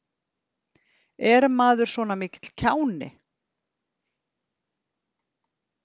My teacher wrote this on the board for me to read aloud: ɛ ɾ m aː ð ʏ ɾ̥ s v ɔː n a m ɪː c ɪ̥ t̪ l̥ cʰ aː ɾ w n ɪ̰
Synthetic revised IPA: ɛ ɾ m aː ð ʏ ɾ̥ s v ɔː n a m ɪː c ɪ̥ t̪ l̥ cʰ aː w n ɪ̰